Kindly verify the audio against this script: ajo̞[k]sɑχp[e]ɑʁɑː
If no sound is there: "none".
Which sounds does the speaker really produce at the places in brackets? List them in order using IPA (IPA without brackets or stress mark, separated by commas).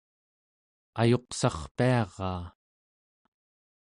q, i